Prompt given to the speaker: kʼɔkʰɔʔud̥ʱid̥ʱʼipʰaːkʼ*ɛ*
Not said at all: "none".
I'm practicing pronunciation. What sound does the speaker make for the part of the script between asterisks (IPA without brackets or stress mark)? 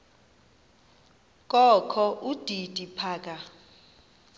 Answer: a